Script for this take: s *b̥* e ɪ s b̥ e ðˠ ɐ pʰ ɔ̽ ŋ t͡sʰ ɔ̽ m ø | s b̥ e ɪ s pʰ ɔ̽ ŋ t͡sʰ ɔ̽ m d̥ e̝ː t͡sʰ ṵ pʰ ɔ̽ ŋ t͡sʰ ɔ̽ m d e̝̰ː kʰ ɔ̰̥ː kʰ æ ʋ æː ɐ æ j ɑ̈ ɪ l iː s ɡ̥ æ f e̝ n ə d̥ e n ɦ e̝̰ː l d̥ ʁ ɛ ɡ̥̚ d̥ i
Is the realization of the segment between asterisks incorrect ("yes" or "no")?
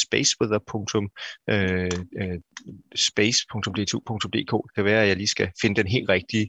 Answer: no